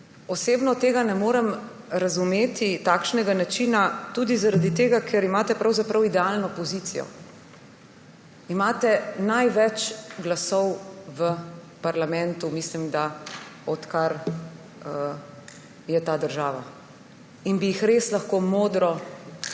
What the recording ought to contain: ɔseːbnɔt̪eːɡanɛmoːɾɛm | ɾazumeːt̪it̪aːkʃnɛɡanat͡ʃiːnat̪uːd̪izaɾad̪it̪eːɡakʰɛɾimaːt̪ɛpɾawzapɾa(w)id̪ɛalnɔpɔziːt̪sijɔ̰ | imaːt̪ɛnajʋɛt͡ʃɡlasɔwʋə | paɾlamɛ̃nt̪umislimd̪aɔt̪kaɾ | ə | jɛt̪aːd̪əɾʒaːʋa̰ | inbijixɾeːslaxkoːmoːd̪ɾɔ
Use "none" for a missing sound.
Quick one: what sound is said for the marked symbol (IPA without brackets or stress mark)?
w